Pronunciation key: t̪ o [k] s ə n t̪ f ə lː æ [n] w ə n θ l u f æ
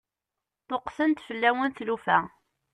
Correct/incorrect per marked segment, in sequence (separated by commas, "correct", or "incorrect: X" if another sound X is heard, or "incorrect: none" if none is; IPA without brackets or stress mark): incorrect: q, incorrect: none